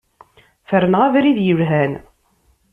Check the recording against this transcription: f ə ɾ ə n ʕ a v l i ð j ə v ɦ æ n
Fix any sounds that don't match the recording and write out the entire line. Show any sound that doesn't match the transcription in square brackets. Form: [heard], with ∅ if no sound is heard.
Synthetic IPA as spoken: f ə ɾ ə n [ʁ] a v [ɾ] i ð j ə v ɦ æ n